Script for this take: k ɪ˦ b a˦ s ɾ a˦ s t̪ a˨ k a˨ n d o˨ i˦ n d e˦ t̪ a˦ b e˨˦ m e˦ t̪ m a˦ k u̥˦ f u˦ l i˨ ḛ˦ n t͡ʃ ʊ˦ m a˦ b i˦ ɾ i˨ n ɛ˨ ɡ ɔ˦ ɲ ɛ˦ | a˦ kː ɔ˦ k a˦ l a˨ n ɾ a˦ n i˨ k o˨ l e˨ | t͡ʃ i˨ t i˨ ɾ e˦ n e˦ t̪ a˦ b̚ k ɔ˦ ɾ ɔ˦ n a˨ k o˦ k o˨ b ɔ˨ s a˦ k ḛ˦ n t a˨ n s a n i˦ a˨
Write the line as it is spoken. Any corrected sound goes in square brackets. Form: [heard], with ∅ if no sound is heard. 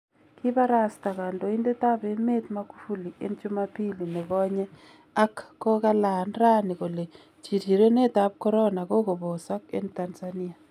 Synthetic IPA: k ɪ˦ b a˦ [∅] ɾ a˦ s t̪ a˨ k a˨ n d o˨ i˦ n d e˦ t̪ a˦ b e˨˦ m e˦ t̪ m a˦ k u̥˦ f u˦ l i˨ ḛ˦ n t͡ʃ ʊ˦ m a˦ [p] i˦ [l] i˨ n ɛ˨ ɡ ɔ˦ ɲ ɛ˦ | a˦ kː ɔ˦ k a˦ l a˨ n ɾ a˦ n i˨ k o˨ l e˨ | t͡ʃ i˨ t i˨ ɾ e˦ n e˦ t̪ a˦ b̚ k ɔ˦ ɾ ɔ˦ n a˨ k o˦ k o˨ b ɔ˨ s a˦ k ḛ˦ n t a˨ n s a n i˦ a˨

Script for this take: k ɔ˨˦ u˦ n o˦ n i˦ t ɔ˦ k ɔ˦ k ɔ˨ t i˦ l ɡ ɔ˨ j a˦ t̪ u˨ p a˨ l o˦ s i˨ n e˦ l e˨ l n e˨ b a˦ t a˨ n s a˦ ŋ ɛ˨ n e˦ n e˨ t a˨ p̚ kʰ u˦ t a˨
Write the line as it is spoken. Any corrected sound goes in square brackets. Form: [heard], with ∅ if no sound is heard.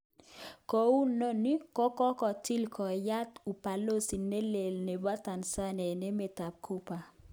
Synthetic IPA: k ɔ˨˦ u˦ n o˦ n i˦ [k] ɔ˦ k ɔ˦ k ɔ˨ t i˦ l [k] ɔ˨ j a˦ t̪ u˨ p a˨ l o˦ s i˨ n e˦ l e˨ l n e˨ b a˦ t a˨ n s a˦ [n] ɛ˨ n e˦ [m] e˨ t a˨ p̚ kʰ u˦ [p] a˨

